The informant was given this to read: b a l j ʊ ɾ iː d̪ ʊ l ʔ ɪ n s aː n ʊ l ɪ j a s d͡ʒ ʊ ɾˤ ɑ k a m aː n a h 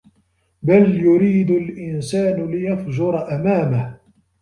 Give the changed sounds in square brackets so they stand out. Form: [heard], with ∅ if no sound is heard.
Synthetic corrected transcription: b a l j ʊ ɾ iː d̪ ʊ l ʔ ɪ n s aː n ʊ l ɪ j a [f] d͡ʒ ʊ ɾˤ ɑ [ʔ] a m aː [m] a h